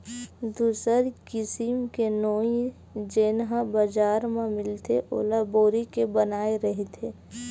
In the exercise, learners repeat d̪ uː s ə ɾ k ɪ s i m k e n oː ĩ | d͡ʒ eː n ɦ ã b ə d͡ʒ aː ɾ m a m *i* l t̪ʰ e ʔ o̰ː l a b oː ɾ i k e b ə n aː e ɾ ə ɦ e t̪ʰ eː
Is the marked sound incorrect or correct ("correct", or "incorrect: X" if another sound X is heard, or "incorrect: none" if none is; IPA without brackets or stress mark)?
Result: incorrect: ɪ